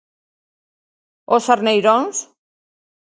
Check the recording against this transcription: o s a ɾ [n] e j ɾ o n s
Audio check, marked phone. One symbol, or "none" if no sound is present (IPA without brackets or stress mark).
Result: n